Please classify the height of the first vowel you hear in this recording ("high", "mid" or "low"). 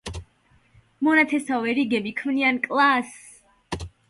mid